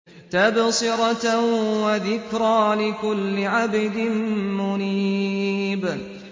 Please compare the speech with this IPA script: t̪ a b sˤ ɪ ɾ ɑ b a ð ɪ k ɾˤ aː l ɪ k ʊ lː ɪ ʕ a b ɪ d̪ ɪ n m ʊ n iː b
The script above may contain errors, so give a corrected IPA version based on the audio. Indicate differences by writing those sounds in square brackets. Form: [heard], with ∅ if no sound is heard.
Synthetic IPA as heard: t̪ a b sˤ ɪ ɾ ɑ [w] a ð ɪ k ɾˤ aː l ɪ k ʊ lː ɪ ʕ a b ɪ d̪ ɪ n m ʊ n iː b